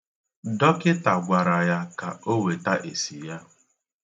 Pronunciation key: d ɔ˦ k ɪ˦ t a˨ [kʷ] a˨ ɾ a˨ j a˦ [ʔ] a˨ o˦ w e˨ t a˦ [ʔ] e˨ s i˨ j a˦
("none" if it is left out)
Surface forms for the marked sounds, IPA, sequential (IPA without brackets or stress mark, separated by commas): ɡʷ, k, ʔ